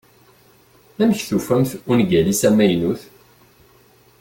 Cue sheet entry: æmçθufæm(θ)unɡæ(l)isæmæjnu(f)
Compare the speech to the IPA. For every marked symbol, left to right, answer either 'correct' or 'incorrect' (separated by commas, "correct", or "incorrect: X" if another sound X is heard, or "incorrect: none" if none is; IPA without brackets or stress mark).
correct, correct, incorrect: θ